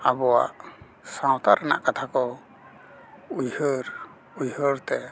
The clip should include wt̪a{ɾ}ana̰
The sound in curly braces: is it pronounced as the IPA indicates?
yes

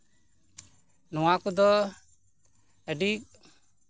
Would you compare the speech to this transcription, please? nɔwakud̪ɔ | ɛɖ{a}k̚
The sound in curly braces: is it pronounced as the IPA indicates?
no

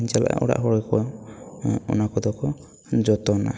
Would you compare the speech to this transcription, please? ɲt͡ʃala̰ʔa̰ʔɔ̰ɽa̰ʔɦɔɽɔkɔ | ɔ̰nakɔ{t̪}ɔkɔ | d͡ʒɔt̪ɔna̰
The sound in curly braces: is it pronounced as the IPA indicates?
no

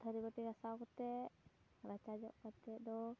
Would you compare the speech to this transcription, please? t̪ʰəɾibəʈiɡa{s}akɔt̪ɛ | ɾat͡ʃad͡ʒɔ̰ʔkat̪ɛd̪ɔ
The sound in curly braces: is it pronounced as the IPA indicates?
yes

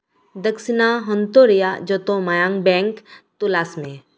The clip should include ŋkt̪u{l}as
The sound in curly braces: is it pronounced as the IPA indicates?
yes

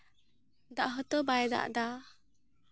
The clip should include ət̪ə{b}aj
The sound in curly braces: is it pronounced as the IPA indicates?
yes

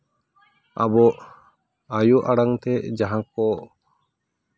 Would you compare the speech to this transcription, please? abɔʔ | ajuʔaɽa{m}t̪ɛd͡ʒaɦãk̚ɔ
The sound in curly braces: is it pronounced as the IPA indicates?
no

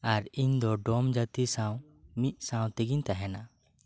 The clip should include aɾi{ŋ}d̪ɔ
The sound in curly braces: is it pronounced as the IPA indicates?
no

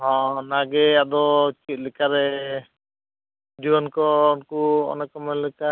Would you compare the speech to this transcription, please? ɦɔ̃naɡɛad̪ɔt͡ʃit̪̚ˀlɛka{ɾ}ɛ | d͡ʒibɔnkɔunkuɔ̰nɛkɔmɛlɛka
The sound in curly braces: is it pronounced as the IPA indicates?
yes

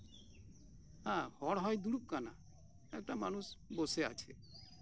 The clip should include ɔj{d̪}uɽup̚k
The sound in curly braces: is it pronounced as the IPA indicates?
yes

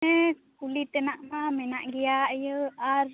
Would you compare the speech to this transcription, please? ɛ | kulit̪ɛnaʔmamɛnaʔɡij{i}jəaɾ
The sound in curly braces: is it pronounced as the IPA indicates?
no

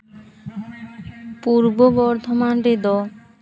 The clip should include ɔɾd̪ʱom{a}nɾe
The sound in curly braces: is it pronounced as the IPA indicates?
yes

